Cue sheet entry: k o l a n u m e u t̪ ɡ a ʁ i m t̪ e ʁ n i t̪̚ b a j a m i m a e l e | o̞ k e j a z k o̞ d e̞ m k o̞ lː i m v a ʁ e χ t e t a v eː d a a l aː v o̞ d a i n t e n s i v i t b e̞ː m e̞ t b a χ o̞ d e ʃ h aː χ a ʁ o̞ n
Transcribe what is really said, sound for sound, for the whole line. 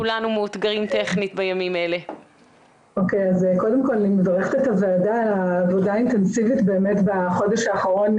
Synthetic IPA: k u l a n u m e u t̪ ɡ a ʁ i m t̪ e χ n i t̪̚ b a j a m i m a e l e | o̞ k e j a z k o̞ d e̞ m k o̞ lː i m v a ʁ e χ t e t a v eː d a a l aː v o̞ d a i n t e n s i v i t b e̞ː m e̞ t b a χ o̞ d e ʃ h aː χ a ʁ o̞ n